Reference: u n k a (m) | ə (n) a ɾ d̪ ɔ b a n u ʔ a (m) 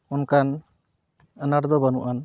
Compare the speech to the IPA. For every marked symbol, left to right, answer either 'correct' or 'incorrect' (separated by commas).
incorrect, correct, incorrect